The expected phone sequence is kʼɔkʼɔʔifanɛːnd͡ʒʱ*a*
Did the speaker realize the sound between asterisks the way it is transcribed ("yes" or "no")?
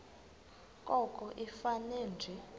no